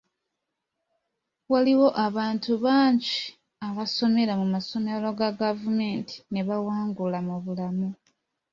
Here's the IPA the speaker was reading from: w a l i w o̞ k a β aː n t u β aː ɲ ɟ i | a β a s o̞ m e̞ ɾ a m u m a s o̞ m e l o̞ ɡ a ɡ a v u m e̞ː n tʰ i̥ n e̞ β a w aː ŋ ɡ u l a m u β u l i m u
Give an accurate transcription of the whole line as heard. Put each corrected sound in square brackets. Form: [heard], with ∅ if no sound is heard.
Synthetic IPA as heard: w a l i w o̞ [ʔ] a β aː n t u β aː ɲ ɟ i | a β a s o̞ m e̞ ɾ a m u m a s o̞ m e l o̞ ɡ a ɡ a v u m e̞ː n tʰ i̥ n e̞ β a w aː ŋ ɡ u l a m u β u l [a] m u